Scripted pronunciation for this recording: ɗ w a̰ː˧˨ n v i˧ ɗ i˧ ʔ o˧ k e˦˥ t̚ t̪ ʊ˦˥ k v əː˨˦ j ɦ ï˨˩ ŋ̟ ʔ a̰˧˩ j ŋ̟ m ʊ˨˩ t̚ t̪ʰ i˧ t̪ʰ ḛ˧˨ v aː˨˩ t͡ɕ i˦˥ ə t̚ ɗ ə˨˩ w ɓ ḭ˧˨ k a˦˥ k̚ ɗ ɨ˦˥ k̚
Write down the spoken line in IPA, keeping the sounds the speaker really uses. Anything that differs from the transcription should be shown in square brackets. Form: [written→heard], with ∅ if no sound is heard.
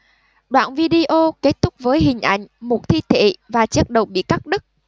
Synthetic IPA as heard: ɗ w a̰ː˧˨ n v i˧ ɗ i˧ ʔ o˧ k e˦˥ t̚ t̪ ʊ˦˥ [k→k͡p̚] v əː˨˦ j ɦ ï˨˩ ŋ̟ ʔ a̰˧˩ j ŋ̟ m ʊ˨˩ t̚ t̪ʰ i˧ t̪ʰ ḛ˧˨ v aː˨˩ t͡ɕ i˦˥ ə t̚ ɗ ə˨˩ w ɓ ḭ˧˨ k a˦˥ k̚ ɗ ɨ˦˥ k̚